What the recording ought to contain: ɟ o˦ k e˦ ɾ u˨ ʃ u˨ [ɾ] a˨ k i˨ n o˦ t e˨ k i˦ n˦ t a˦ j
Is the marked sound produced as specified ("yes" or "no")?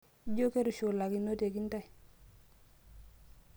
no